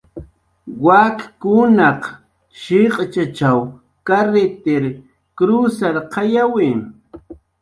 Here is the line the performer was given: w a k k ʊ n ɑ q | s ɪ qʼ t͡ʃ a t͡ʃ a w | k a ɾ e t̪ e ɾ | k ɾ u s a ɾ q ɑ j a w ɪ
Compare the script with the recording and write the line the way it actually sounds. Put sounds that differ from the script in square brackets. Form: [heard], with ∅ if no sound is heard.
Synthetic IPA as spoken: w a k k ʊ n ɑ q | [ʃ] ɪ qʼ t͡ʃ a t͡ʃ a w | k a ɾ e t̪ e ɾ | k ɾ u s a ɾ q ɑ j a w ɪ